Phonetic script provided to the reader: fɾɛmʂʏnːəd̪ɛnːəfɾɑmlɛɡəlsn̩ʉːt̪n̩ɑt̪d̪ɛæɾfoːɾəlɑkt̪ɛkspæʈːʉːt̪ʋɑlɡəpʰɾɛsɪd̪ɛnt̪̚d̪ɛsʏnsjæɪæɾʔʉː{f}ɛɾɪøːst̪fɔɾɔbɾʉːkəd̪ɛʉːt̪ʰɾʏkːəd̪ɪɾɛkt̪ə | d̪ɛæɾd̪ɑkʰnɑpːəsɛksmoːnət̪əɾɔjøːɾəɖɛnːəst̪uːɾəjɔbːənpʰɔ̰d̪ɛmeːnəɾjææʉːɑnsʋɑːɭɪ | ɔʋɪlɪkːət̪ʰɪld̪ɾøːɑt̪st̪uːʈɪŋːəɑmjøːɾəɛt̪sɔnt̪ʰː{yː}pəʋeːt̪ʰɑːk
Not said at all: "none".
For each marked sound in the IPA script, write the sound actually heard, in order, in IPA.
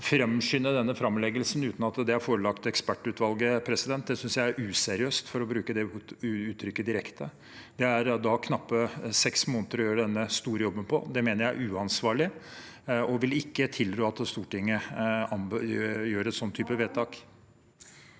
s, yː

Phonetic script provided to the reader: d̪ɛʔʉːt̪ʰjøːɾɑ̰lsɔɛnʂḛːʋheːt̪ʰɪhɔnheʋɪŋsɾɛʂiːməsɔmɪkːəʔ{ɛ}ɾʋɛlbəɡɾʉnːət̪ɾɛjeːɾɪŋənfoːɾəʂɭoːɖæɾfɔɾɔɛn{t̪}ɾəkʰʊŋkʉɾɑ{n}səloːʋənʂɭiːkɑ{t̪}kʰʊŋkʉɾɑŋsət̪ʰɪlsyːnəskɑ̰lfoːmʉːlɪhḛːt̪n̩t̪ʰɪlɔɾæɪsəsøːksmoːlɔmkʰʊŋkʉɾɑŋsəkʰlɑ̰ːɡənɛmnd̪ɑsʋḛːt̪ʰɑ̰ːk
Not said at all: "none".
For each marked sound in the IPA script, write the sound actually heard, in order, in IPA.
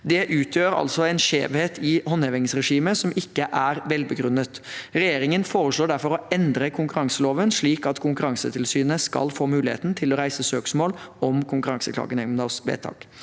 æ, d̪, ŋ, t̪

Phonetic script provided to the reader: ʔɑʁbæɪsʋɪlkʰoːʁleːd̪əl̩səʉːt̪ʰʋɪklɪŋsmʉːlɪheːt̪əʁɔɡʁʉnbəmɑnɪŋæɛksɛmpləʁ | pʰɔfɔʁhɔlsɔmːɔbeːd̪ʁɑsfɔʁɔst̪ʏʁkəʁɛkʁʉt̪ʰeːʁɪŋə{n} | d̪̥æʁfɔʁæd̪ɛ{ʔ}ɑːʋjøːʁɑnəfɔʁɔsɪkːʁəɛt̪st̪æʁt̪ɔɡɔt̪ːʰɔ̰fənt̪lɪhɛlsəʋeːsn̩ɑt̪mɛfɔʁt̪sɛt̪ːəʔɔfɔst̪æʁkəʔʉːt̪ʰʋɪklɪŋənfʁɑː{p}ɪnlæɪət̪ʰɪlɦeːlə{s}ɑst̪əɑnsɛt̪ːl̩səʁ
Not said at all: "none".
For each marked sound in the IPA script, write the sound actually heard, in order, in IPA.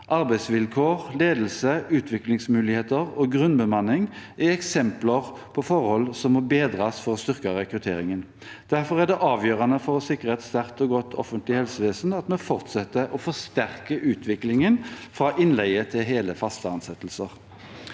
n, ʔ, ʔ, f

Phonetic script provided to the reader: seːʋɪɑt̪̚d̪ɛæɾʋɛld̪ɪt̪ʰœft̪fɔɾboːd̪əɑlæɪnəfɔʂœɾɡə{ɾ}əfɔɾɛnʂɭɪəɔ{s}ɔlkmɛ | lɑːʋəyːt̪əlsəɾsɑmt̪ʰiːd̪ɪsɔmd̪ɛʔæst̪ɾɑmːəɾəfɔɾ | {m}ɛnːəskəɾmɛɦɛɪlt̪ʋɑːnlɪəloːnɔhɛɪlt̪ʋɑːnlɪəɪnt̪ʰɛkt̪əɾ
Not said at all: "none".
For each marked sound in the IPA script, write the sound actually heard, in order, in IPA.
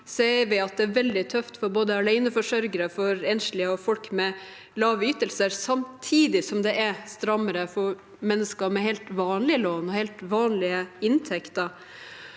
ɾ, f, m

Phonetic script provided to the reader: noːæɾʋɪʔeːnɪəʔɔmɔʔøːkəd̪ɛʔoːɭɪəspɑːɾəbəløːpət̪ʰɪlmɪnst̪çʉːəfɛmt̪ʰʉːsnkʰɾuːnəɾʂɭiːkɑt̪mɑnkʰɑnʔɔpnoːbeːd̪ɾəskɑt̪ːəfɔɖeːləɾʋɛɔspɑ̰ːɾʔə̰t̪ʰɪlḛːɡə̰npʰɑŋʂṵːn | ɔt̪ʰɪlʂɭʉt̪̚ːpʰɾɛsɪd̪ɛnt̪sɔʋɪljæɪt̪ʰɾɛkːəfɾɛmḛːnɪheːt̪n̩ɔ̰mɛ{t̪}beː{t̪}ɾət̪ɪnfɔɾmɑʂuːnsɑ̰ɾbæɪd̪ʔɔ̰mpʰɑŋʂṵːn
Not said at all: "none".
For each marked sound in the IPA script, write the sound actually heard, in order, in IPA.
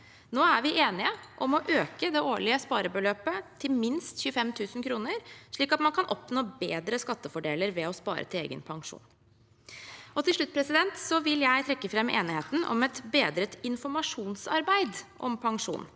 t̪, d̪

